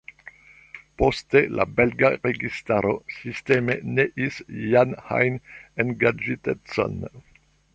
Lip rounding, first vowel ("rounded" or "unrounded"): rounded